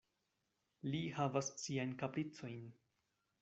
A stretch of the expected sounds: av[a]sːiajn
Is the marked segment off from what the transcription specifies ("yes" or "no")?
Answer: no